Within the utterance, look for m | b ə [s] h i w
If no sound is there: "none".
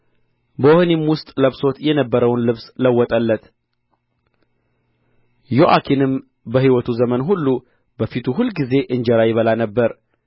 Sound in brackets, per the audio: none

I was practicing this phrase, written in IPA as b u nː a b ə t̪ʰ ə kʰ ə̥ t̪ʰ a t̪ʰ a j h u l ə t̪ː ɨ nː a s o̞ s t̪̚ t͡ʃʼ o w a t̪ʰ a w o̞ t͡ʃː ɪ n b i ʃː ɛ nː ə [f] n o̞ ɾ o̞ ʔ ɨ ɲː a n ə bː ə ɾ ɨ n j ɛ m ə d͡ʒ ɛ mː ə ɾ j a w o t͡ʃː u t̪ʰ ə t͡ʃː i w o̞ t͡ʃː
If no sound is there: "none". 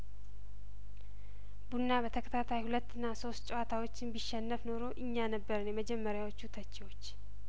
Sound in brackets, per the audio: f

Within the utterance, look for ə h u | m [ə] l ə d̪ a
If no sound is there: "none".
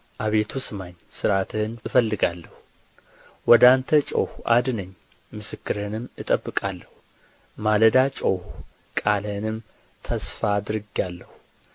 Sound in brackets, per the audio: a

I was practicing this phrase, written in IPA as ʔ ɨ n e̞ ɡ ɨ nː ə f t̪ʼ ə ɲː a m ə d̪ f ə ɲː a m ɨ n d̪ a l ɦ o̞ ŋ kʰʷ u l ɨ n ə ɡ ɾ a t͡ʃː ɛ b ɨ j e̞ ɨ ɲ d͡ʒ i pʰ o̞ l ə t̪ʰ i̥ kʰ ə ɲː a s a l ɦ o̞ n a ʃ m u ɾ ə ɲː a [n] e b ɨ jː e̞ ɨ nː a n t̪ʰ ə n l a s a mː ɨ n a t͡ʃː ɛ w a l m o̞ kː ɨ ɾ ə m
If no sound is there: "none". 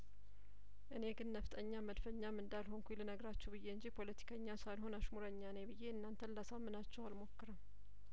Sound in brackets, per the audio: n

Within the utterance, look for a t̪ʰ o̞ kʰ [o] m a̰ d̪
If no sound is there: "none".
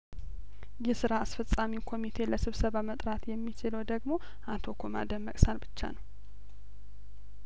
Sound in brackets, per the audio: o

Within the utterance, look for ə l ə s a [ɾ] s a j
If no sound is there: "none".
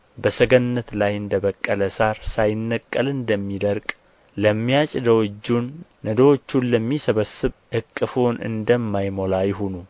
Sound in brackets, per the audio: ɾ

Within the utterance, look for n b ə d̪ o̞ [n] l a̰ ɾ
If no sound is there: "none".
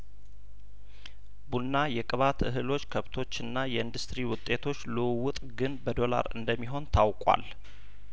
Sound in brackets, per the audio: none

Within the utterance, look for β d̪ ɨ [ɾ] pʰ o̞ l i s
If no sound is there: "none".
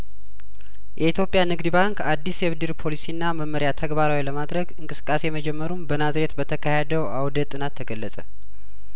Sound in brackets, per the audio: ɾ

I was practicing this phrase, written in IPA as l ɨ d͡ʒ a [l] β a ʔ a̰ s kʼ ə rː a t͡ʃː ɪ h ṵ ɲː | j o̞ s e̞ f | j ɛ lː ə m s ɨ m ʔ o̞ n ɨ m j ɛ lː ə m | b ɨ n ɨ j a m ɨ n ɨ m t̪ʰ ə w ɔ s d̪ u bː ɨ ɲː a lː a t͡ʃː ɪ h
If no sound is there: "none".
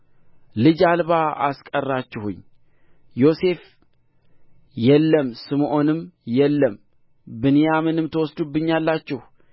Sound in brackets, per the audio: l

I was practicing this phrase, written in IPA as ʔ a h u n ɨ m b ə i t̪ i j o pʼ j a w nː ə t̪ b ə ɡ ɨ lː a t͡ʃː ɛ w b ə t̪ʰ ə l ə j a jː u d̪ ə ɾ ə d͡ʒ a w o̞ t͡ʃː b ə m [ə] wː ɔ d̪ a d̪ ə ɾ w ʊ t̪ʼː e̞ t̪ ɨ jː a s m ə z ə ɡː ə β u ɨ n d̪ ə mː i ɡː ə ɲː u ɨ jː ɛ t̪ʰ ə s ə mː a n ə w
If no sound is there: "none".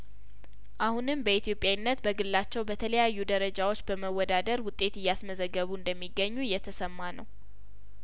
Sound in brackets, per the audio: ə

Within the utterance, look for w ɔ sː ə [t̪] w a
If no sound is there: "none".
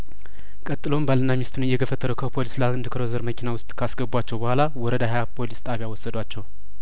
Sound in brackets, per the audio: d̪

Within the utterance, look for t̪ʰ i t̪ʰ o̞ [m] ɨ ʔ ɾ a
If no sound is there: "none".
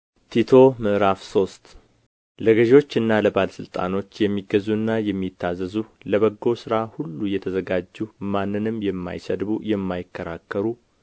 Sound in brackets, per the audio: m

